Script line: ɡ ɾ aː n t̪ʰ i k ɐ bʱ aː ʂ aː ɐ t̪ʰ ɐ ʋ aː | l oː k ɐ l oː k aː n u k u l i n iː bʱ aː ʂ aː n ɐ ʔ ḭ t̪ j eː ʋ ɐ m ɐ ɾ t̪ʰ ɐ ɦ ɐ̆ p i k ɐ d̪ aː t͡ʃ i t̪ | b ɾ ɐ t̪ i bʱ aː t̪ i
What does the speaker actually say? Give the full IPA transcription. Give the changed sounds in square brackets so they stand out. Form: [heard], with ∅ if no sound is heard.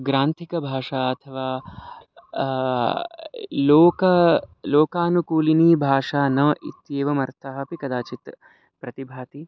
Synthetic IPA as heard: ɡ ɾ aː n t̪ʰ i k ɐ bʱ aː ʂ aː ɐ t̪ʰ ɐ ʋ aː | l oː k ɐ l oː k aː n u k [uː] l i n iː bʱ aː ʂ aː n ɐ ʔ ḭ t̪ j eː ʋ ɐ m ɐ ɾ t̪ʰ ɐ ɦ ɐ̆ p i k ɐ d̪ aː t͡ʃ i t̪ | [p] ɾ ɐ t̪ i bʱ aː t̪ i

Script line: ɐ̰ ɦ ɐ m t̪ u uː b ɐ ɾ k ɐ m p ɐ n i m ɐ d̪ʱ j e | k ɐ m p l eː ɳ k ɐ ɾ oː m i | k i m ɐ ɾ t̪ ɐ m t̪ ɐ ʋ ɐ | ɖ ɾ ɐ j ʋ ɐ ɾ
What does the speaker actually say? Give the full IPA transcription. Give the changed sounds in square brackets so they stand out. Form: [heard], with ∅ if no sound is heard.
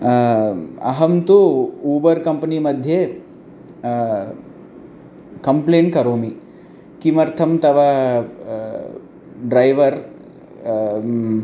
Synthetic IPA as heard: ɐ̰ ɦ ɐ m t̪ u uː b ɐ ɾ k ɐ m p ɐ n i m ɐ d̪ʱ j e | k ɐ m p l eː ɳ k ɐ ɾ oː m i | k i m ɐ ɾ [t̪ʰ] ɐ m t̪ ɐ ʋ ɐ | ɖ ɾ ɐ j ʋ ɐ ɾ

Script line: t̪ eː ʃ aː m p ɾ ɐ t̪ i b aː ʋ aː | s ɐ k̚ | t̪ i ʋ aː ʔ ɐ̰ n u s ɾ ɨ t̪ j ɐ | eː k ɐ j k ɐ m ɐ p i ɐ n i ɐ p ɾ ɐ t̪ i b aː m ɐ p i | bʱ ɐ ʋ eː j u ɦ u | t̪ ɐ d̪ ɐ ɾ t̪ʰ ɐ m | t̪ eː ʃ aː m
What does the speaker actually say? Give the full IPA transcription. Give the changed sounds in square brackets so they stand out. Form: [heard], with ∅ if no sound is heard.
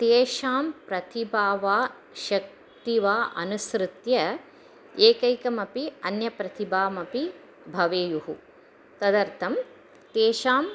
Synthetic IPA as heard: t̪ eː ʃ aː m p ɾ ɐ t̪ i b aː ʋ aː | [ʃ] ɐ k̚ | t̪ i ʋ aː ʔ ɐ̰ n u s ɾ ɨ t̪ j ɐ | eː k ɐ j k ɐ m ɐ p i ɐ n [j] ɐ p ɾ ɐ t̪ i b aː m ɐ p i | bʱ ɐ ʋ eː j u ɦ u | t̪ ɐ d̪ ɐ ɾ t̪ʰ ɐ m | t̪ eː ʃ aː m

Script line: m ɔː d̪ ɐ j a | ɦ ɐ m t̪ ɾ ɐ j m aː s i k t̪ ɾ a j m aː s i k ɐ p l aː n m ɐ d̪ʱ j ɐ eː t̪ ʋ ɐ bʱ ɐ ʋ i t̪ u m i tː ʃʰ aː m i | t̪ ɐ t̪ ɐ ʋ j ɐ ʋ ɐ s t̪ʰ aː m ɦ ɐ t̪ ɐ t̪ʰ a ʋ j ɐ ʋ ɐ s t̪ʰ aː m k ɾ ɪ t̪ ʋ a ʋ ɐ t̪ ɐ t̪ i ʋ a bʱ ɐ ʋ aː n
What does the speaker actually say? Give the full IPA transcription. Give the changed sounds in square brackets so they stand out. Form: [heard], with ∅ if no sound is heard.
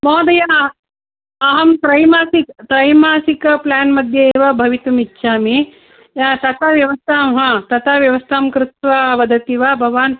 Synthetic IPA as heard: m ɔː d̪ ɐ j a | ɦ ɐ m t̪ ɾ ɐ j m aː s i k t̪ ɾ [ɐ] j m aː s i k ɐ p l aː n m ɐ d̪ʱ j ɐ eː [∅] ʋ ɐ bʱ ɐ ʋ i t̪ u m i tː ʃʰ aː m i | t̪ ɐ t̪ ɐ ʋ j ɐ ʋ ɐ s t̪ʰ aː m ɦ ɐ t̪ ɐ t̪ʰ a ʋ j ɐ ʋ ɐ s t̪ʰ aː m k ɾ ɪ t̪ ʋ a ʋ ɐ [d̪] ɐ t̪ i ʋ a bʱ ɐ ʋ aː n

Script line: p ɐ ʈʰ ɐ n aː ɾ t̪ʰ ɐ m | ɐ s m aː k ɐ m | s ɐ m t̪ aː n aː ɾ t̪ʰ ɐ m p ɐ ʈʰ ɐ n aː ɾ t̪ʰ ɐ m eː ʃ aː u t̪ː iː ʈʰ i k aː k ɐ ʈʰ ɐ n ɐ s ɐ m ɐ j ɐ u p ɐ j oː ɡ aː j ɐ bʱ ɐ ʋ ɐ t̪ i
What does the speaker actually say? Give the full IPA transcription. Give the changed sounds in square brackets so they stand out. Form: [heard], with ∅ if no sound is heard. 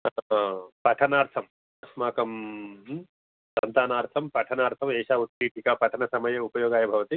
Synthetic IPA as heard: p ɐ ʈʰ ɐ n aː ɾ t̪ʰ ɐ m | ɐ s m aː k ɐ m | s ɐ [n] t̪ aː n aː ɾ t̪ʰ ɐ m p ɐ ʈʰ ɐ n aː ɾ t̪ʰ ɐ m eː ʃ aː u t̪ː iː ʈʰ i k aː [p] ɐ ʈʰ ɐ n ɐ s ɐ m ɐ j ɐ u p ɐ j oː ɡ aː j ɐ bʱ ɐ ʋ ɐ t̪ i

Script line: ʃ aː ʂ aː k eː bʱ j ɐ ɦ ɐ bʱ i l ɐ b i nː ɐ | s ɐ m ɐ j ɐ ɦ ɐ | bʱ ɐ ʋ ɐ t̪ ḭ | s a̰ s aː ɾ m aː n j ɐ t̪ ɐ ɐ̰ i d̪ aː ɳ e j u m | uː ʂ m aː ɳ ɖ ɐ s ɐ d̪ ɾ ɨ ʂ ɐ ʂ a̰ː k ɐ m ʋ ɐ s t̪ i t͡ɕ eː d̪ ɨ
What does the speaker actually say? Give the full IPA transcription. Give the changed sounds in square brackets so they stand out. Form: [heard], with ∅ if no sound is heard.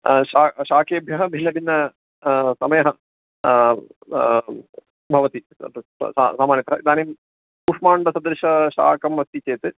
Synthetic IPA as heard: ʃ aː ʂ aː k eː bʱ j ɐ ɦ ɐ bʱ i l ɐ b i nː ɐ | s ɐ m ɐ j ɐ ɦ ɐ | bʱ ɐ ʋ ɐ t̪ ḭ | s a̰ s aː [∅] m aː n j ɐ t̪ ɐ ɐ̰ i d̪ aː [n] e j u m | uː ʂ m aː ɳ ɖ ɐ s ɐ d̪ ɾ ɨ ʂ ɐ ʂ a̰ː k ɐ m ʋ ɐ s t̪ i t͡ɕ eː [t̪] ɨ

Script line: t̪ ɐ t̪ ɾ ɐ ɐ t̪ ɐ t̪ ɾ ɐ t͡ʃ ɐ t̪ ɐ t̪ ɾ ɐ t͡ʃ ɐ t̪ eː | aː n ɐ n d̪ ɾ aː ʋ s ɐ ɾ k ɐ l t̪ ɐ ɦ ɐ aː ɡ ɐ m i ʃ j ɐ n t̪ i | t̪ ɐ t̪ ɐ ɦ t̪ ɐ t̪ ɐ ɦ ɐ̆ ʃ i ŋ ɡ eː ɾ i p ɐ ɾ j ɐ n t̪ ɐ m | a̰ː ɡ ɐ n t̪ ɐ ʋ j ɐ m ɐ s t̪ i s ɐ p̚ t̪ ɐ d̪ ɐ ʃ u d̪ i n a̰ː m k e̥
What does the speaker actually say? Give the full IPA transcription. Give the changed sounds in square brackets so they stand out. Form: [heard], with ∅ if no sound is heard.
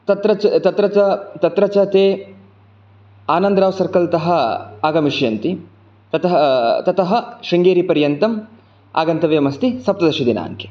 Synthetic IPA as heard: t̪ ɐ t̪ ɾ ɐ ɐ t̪ ɐ t̪ ɾ ɐ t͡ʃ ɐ t̪ ɐ t̪ ɾ ɐ t͡ʃ ɐ t̪ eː | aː n ɐ n d̪ ɾ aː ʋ s ɐ ɾ k ɐ l t̪ ɐ ɦ ɐ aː ɡ ɐ m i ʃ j ɐ n t̪ i | t̪ ɐ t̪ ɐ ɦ t̪ ɐ t̪ ɐ ɦ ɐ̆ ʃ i ŋ ɡ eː ɾ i p ɐ ɾ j ɐ n t̪ ɐ m | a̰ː ɡ ɐ n t̪ ɐ ʋ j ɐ m ɐ s t̪ i s ɐ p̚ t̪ ɐ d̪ ɐ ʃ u d̪ i n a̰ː [ŋ] k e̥

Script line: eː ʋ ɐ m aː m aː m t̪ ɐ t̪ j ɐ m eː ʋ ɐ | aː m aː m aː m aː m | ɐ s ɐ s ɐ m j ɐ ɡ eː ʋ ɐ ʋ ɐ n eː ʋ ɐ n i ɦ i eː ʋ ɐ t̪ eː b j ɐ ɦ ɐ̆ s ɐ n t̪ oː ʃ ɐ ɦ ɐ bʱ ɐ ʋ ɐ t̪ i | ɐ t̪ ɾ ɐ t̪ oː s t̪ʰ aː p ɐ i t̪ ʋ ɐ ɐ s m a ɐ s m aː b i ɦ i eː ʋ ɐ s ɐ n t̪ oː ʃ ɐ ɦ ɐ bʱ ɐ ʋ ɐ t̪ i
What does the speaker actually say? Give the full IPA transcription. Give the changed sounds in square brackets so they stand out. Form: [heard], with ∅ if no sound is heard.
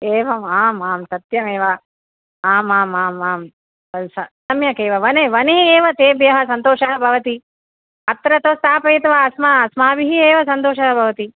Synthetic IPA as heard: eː ʋ ɐ m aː m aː m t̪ ɐ t̪ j ɐ m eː ʋ ɐ | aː m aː m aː m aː m | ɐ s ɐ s ɐ m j ɐ [k] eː ʋ ɐ ʋ ɐ n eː ʋ ɐ n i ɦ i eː ʋ ɐ t̪ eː b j ɐ ɦ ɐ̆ s ɐ n t̪ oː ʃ ɐ ɦ ɐ bʱ ɐ ʋ ɐ t̪ i | ɐ t̪ ɾ ɐ t̪ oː s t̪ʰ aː p ɐ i t̪ ʋ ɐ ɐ s m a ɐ s m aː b i ɦ i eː ʋ ɐ s ɐ n t̪ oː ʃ ɐ ɦ ɐ bʱ ɐ ʋ ɐ t̪ i

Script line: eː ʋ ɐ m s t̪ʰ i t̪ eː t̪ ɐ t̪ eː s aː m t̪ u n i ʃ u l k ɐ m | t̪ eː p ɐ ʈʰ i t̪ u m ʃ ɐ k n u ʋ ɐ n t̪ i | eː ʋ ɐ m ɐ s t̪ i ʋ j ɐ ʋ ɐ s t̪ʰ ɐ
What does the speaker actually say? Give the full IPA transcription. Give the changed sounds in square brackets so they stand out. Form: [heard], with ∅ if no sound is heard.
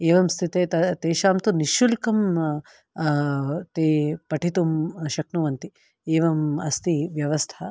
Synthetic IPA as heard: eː ʋ ɐ m s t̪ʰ i t̪ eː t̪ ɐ t̪ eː [ʃ] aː m t̪ u n i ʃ u l k ɐ m | t̪ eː p ɐ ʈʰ i t̪ u m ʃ ɐ k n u ʋ ɐ n t̪ i | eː ʋ ɐ m ɐ s t̪ i ʋ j ɐ ʋ ɐ s t̪ʰ ɐ

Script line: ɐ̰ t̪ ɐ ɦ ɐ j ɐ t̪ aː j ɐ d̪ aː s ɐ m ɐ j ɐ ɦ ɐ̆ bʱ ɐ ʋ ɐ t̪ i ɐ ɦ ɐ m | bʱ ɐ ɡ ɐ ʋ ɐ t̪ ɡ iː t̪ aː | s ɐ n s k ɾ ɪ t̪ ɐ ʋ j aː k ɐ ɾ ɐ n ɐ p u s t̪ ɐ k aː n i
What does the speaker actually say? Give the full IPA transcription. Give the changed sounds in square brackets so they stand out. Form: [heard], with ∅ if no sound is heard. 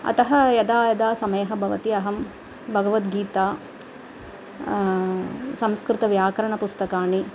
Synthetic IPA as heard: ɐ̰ t̪ ɐ ɦ ɐ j ɐ [d̪] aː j ɐ d̪ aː s ɐ m ɐ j ɐ ɦ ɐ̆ bʱ ɐ ʋ ɐ t̪ i ɐ ɦ ɐ m | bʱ ɐ ɡ ɐ ʋ ɐ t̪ ɡ iː t̪ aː | s ɐ [m] s k ɾ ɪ t̪ ɐ ʋ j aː k ɐ ɾ ɐ [ɳ] ɐ p u s t̪ ɐ k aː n i

